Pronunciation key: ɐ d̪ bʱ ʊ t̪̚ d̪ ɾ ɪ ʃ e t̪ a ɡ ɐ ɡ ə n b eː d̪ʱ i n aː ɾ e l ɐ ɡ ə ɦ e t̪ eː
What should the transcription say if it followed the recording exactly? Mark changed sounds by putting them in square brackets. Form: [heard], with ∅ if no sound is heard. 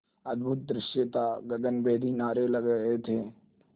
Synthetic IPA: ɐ d̪ bʱ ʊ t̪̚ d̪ ɾ ɪ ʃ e t̪ a ɡ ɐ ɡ ə n b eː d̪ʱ i n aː ɾ e l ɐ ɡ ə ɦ e [t̪ʰ] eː